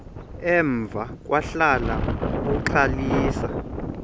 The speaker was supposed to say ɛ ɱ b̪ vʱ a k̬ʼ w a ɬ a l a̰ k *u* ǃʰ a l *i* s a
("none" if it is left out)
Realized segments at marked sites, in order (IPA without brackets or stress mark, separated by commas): u, iː